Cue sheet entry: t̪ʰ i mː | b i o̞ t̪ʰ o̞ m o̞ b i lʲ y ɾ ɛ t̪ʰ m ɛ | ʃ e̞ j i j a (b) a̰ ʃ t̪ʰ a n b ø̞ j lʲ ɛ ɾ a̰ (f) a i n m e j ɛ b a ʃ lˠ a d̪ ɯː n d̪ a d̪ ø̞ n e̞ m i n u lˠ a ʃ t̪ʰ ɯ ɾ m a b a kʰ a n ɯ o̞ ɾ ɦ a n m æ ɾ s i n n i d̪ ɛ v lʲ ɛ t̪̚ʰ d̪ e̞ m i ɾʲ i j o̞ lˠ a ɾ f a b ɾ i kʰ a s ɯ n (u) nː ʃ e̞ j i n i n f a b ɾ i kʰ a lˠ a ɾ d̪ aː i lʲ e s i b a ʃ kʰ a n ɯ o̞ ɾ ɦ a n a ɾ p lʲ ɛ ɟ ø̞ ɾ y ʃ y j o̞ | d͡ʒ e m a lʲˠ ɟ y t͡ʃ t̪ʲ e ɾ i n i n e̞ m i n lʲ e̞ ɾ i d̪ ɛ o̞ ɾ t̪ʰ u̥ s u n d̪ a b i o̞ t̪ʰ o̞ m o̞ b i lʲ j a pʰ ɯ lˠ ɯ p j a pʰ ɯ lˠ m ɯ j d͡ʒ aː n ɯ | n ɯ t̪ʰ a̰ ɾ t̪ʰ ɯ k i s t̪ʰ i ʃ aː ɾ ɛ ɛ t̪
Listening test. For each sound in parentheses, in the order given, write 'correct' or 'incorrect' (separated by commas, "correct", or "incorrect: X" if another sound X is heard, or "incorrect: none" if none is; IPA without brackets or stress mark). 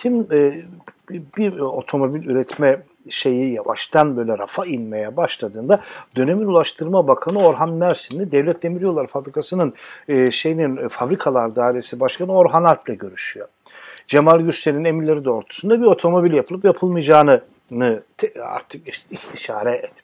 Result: incorrect: v, correct, incorrect: ɯ